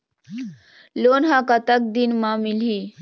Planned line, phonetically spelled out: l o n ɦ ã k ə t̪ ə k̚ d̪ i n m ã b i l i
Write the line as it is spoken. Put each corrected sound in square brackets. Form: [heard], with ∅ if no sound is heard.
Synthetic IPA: l o n ɦ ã k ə t̪ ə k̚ d̪ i n m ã [m] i l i